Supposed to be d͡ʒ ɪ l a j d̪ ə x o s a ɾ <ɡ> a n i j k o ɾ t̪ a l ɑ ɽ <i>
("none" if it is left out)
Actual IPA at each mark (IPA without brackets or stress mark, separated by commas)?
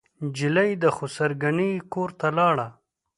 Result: ɡ, a